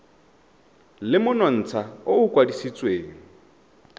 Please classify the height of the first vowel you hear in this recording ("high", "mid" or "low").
high